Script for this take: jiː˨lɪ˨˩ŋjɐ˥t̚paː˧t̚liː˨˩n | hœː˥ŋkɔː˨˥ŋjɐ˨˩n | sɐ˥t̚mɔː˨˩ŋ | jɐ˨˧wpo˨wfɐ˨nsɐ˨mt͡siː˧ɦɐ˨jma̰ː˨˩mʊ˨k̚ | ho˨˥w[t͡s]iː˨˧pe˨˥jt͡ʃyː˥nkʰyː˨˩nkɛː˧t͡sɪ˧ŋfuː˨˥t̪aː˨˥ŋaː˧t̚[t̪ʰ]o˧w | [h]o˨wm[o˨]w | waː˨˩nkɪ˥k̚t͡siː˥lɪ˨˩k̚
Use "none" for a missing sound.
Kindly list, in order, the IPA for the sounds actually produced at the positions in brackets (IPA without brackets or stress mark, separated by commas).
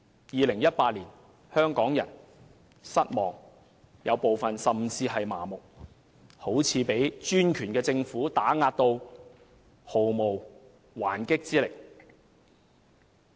t͡sʰ, t̪, h, o˨